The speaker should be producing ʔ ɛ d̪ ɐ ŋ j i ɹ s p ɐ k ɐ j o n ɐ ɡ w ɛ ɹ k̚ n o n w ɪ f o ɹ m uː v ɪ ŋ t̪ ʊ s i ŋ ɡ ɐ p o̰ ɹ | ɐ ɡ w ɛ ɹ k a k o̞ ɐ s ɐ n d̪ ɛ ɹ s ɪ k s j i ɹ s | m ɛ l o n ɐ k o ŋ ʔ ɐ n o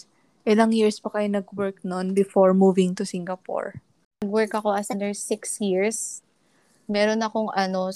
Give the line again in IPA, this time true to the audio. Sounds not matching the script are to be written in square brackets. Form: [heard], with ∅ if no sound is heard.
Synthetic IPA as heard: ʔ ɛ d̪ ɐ ŋ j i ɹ s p ɐ k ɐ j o n ɐ ɡ w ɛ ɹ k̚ n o n [b] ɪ f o ɹ m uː v ɪ ŋ t̪ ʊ s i ŋ ɡ ɐ p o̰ ɹ | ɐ ɡ w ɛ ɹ k [ɐ] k o̞ ɐ s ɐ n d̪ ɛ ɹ s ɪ k s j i ɹ s | m ɛ [ɾ] o n ɐ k o ŋ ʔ ɐ n o